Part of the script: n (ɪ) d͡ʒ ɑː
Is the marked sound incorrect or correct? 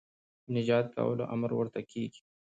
correct